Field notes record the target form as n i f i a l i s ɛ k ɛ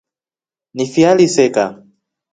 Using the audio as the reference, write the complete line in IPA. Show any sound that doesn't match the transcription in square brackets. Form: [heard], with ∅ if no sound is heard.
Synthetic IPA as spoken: n i f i a l i s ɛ k [a]